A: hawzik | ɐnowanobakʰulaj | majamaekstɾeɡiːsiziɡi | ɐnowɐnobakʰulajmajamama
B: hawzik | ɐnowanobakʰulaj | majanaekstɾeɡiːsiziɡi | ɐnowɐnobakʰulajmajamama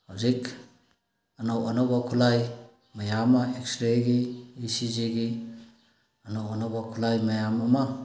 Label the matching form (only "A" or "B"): A